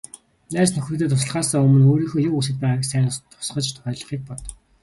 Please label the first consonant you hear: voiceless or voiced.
voiced